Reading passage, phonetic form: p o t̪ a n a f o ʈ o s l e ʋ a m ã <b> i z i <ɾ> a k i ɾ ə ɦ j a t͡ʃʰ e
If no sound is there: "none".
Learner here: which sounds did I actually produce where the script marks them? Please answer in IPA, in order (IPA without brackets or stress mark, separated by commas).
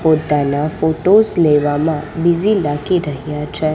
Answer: b, l